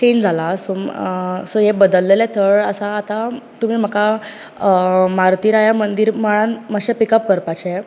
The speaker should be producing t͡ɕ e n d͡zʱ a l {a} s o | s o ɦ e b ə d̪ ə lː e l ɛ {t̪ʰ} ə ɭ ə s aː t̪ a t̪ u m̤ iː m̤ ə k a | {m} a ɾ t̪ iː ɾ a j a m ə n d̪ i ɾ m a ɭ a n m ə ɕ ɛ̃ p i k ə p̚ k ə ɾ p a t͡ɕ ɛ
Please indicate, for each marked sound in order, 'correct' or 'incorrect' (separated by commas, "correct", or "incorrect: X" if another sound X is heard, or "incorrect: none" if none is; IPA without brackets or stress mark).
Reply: correct, correct, correct